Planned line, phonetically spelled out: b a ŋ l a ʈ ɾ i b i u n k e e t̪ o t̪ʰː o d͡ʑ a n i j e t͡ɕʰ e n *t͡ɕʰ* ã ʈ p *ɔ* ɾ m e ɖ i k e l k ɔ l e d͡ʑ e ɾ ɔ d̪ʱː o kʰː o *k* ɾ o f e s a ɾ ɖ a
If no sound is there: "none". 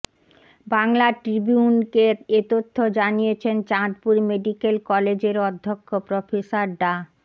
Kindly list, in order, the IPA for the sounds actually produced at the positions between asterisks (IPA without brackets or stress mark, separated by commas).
t͡ɕ, u, p